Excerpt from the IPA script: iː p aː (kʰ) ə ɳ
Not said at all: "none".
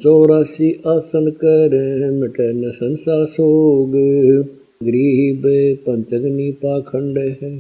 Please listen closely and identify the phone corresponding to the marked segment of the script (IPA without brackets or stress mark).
kʰ